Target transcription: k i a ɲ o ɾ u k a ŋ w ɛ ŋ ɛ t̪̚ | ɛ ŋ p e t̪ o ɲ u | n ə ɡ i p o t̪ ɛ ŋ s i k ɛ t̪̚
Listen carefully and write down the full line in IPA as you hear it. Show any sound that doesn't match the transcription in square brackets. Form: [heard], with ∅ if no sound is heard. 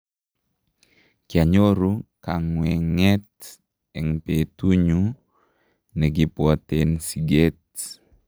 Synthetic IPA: k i a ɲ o ɾ u k a ŋ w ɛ ŋ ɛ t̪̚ | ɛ ŋ p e t̪ [u] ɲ u | n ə ɡ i p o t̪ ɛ [n] s i [ɡ] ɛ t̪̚